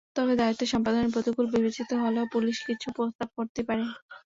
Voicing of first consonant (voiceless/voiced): voiceless